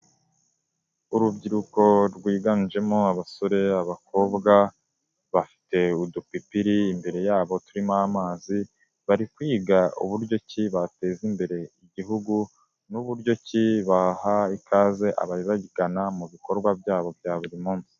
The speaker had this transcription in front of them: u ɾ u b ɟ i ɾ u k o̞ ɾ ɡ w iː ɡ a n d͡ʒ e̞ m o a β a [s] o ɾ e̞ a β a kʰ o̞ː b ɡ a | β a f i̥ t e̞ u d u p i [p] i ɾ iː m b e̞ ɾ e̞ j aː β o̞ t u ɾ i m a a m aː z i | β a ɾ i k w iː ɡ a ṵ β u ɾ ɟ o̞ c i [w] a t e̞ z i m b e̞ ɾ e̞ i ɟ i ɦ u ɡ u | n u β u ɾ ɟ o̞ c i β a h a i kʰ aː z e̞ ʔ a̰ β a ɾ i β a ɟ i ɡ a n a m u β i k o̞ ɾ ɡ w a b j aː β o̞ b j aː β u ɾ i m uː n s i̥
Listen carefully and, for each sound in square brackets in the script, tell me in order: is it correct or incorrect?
correct, correct, incorrect: β

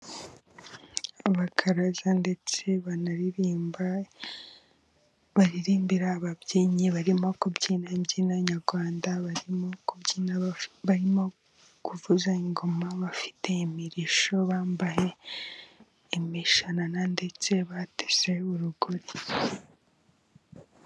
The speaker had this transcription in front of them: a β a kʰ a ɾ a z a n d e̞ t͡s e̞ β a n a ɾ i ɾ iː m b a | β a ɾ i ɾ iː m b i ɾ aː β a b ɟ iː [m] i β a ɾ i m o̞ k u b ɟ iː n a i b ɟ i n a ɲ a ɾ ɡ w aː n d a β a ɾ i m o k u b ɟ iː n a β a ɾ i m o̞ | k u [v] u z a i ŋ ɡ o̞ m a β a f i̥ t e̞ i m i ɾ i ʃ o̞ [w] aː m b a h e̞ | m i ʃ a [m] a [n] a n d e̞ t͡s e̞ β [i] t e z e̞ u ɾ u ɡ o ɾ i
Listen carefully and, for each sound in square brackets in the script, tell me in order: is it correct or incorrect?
incorrect: ɲ, correct, incorrect: β, incorrect: n, correct, incorrect: a

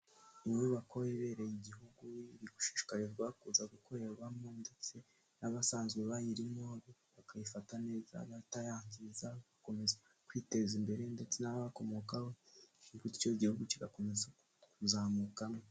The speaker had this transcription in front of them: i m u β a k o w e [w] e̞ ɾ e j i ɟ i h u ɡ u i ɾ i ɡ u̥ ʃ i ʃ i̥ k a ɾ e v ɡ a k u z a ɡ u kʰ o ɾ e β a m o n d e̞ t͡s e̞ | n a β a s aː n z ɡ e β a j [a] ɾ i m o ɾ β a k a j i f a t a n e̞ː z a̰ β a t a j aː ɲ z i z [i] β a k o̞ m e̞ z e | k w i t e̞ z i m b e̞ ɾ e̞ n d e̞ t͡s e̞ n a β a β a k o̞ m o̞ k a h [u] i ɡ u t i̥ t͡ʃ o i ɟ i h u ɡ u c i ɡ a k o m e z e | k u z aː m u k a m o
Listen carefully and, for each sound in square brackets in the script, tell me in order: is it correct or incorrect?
incorrect: β, incorrect: i, incorrect: a, incorrect: o

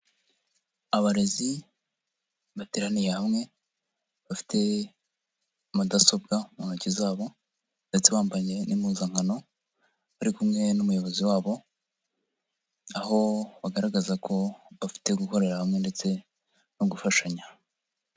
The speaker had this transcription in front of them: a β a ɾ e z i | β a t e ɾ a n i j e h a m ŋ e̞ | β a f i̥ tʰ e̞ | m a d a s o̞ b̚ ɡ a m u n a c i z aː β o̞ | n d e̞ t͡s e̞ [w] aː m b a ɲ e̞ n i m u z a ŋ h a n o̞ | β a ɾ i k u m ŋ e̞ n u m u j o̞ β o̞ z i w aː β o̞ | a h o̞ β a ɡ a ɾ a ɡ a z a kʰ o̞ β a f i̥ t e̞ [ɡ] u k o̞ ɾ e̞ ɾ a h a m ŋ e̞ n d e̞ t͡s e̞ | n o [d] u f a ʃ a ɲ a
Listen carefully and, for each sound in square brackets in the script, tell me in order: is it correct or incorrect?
incorrect: β, correct, incorrect: ɡ

